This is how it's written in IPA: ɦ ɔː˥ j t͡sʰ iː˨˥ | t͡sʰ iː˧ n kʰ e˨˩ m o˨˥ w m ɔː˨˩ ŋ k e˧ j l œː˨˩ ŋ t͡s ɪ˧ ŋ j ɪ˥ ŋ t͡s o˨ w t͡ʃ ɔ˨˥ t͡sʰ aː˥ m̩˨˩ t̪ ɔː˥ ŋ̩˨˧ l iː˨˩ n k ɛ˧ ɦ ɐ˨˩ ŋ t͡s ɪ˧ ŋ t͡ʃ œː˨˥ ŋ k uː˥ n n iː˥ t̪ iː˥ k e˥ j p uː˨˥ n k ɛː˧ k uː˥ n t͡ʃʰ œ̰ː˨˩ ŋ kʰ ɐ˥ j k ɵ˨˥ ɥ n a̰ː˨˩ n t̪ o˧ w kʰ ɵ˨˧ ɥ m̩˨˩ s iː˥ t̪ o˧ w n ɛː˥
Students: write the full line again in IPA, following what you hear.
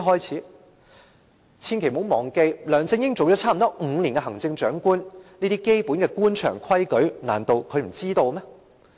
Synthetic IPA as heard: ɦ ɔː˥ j t͡sʰ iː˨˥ | t͡sʰ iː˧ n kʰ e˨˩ m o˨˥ w m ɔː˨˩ ŋ k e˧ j l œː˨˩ ŋ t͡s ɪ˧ ŋ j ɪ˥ ŋ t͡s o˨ w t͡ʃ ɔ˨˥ t͡sʰ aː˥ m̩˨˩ t̪ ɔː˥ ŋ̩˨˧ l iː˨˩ n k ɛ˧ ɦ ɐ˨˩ ŋ t͡s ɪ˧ ŋ t͡ʃ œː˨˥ ŋ k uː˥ n n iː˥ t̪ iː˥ k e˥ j p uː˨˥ n k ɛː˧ k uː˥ n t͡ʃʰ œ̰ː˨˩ ŋ kʰ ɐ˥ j k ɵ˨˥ ɥ n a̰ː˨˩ n t̪ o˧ w kʰ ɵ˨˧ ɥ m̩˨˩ t͡s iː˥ t̪ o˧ w m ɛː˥